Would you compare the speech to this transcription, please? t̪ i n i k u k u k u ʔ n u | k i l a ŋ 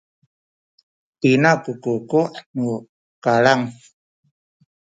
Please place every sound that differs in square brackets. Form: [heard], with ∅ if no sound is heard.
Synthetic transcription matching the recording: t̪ i n [a] k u k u k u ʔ n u | k [a] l a ŋ